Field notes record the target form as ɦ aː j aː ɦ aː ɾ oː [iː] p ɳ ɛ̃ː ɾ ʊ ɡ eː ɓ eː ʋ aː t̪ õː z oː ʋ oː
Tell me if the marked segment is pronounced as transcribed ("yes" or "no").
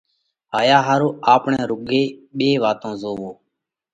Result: no